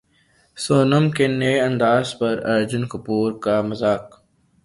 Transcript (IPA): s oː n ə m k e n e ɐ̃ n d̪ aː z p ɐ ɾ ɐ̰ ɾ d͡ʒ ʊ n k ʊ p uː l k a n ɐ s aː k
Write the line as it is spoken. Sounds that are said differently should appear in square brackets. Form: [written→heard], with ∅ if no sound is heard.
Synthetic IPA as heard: s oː n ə m k e n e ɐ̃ n d̪ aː z p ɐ ɾ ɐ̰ ɾ d͡ʒ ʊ n k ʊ p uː [l→ɾ] k a [n→m] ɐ [s→z] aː k